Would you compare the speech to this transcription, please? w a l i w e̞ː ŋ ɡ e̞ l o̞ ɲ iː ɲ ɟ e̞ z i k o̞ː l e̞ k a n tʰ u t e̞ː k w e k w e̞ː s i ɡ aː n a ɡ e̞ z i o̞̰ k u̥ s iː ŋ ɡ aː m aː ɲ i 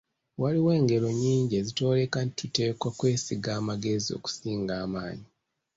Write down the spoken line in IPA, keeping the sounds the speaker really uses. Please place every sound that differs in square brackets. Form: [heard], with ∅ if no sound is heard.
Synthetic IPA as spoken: w a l i w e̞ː ŋ ɡ e̞ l o̞ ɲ iː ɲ ɟ e̞ z i [t] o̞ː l e̞ k a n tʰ u t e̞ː k w [a] k w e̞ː s i ɡ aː [m] a ɡ e̞ z i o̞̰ k u̥ s iː ŋ ɡ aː m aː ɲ i

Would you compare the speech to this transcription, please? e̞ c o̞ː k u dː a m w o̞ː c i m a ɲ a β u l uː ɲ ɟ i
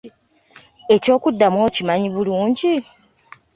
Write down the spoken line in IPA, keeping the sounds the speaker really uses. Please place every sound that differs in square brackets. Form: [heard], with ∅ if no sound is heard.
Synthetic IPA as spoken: e̞ c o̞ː k u dː a m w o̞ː c i m a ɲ [i] β u l uː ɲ ɟ i

